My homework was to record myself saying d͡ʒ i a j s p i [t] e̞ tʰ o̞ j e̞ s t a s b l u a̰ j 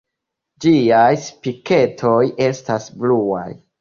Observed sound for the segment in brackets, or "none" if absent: k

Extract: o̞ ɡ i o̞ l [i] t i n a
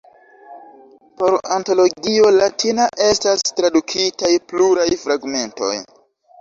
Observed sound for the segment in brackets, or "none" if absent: a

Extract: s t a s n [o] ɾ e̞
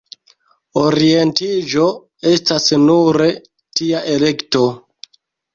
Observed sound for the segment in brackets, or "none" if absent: u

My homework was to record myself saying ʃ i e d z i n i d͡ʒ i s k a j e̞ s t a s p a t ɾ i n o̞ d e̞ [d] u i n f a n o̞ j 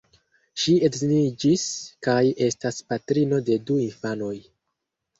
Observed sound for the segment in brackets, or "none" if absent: d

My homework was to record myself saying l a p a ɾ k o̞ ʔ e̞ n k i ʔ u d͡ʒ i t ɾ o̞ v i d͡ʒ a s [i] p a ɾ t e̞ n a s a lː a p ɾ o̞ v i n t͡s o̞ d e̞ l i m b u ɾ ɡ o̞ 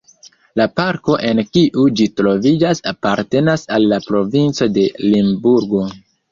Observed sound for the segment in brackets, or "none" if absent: a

